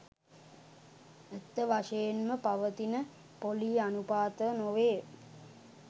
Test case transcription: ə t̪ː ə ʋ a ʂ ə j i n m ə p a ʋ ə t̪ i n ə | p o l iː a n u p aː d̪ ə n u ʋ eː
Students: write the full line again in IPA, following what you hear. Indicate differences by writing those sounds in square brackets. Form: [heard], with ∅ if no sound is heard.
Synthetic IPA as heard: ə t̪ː ə ʋ a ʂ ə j [e] n m ə p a ʋ ə t̪ i n ə | p o l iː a n u p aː [t̪] ə n [o] ʋ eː